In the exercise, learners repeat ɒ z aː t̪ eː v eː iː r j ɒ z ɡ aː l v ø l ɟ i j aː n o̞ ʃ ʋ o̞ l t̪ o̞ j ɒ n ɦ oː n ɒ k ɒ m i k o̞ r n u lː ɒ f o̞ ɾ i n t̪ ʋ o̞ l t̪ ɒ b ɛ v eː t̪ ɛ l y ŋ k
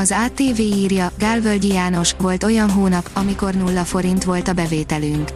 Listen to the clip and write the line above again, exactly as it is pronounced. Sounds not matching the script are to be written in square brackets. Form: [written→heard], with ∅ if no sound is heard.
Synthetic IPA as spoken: ɒ z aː t̪ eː v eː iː r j ɒ [z→∅] ɡ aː l v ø l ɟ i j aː n o̞ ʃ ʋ o̞ l t̪ o̞ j ɒ n ɦ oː n ɒ [k→p] ɒ m i k o̞ r n u lː ɒ f o̞ ɾ i n t̪ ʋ o̞ l t̪ ɒ b ɛ v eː t̪ ɛ l y ŋ k